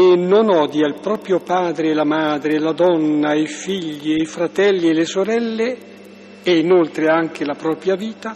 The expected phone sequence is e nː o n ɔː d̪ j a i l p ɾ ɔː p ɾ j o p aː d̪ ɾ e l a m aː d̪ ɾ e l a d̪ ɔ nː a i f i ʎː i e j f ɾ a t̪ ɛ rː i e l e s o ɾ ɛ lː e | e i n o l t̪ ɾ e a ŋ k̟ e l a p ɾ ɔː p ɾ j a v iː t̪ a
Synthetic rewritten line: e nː o n ɔː d̪ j a i l p ɾ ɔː p ɾ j o p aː d̪ ɾ e l a m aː d̪ ɾ e l a d̪ ɔ nː a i f i ʎː i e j f ɾ a t̪ ɛ lː i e l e s o ɾ ɛ lː e | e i n o l t̪ ɾ e a ŋ k̟ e l a p ɾ ɔː p ɾ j a v iː t̪ a